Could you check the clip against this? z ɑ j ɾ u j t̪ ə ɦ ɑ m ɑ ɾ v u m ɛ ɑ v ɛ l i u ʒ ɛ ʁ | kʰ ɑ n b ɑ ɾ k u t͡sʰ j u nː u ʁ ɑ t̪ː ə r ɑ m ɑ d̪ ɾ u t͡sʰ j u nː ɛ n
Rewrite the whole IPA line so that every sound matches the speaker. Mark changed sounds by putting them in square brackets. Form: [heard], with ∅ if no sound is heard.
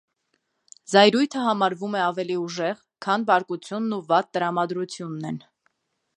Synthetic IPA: z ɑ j ɾ u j [t̪ʰ] ə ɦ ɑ m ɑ ɾ v u m ɛ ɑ v ɛ l i u ʒ ɛ ʁ | kʰ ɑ n b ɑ ɾ k u t͡sʰ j u nː u [v] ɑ t̪ː ə [ɾ] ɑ m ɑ d̪ ɾ u t͡sʰ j u nː ɛ n

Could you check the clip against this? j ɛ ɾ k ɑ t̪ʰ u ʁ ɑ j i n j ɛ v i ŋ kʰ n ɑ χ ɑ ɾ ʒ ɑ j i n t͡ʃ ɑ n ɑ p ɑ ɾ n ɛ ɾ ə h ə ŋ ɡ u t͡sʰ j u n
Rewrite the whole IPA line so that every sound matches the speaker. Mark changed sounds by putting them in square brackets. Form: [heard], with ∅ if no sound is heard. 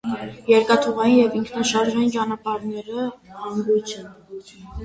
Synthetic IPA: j ɛ ɾ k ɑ t̪ʰ u ʁ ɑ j i n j ɛ v i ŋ kʰ n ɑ [ʃ] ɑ ɾ ʒ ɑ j i n t͡ʃ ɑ n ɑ p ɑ ɾ n ɛ ɾ ə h [ɑ] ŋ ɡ u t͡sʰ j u n

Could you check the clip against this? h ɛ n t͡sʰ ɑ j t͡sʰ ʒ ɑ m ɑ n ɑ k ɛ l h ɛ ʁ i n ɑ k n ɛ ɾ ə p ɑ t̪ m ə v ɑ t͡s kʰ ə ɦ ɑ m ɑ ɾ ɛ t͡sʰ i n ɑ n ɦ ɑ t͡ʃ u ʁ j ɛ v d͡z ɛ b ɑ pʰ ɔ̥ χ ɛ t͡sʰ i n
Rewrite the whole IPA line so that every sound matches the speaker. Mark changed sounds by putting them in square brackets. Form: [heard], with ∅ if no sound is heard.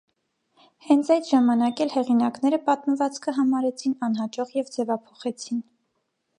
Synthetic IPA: h ɛ n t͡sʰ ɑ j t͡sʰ ʒ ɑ m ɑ n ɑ k ɛ l h ɛ ʁ i n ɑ k n ɛ ɾ ə p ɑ t̪ m ə v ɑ t͡s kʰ ə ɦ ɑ m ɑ ɾ ɛ t͡sʰ i n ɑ n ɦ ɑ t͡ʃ [ɔ] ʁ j ɛ v d͡z ɛ [v] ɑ pʰ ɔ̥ χ ɛ t͡sʰ i n

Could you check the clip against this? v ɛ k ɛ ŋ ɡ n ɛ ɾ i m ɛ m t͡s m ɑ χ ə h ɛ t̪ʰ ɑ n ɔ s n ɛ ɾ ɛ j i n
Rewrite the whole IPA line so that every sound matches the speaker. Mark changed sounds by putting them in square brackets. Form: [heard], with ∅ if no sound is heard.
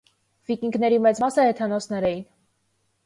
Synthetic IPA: v [i] k [i] ŋ ɡ n ɛ ɾ i m ɛ [∅] t͡s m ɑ [s] ə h ɛ t̪ʰ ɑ n ɔ s n ɛ ɾ ɛ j i n

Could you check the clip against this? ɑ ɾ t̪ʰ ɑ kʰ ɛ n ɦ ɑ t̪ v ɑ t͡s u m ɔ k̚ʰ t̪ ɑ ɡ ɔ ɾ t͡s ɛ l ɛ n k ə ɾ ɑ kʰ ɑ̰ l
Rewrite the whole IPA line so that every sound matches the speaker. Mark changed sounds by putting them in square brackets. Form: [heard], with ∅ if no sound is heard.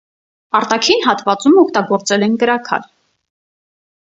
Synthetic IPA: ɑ ɾ [t̪] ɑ kʰ [i] n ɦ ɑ t̪ v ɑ t͡s u m ɔ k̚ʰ t̪ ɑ ɡ ɔ ɾ t͡s ɛ l ɛ n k ə ɾ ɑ kʰ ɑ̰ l

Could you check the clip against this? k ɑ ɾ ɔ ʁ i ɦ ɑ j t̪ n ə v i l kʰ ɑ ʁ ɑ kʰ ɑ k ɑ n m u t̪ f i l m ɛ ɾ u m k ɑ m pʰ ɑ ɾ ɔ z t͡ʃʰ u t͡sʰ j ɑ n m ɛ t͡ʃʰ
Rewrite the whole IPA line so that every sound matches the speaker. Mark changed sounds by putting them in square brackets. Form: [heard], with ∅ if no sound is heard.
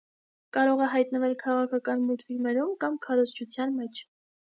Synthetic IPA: k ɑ ɾ ɔ ʁ [ɛ] ɦ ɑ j t̪ n ə v [ɛ] l kʰ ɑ ʁ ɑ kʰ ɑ k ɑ n m u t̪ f i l m ɛ ɾ u m k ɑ m [kʰ] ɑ ɾ ɔ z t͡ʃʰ u t͡sʰ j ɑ n m ɛ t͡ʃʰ

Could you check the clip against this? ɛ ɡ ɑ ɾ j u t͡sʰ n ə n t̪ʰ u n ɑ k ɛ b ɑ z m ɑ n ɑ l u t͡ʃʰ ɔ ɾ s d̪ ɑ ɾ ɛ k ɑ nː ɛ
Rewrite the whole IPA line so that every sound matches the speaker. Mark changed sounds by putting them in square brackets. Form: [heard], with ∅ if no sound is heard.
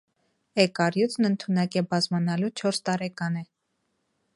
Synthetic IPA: ɛ [k] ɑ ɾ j u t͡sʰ n ə n t̪ʰ u n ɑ k ɛ b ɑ z m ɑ n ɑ l u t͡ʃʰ ɔ ɾ s [t̪] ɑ ɾ ɛ k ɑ [n] ɛ

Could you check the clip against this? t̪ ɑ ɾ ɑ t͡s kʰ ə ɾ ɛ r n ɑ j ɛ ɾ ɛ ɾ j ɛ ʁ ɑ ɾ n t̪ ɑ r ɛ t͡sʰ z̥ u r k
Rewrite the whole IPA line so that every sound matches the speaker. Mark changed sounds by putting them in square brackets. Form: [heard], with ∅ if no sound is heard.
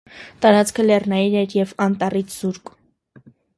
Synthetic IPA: t̪ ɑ ɾ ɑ t͡s kʰ ə [l] ɛ r n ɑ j [i] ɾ ɛ ɾ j ɛ [v] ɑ [∅] n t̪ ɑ r [i] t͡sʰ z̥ u [ɾ] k

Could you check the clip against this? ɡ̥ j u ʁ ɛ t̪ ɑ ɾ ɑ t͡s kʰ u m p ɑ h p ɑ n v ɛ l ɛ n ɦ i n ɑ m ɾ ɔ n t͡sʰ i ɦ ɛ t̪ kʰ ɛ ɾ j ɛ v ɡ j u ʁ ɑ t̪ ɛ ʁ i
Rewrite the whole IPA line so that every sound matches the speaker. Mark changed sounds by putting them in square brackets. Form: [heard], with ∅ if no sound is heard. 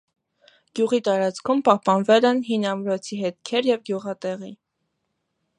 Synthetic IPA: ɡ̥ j u ʁ [i] t̪ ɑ ɾ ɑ t͡s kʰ u m p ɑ h p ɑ n v ɛ l ɛ n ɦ i n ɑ m ɾ ɔ [∅] t͡sʰ i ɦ ɛ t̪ kʰ ɛ ɾ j ɛ v ɡ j u ʁ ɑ t̪ ɛ ʁ i

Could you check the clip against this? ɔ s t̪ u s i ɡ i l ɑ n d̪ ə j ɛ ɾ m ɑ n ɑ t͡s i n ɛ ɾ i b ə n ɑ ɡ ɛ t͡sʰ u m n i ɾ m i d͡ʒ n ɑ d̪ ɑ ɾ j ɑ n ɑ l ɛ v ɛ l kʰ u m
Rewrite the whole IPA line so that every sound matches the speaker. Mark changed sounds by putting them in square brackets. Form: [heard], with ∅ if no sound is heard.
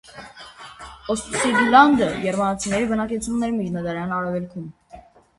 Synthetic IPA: ɔ s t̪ u s i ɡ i l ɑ n d̪ ə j ɛ ɾ m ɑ n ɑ [t͡sʰ] i n ɛ ɾ i b ə n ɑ [k] ɛ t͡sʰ u m n [ɛ] ɾ m i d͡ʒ n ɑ d̪ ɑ ɾ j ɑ n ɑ [ɾ] ɛ v ɛ l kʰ u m

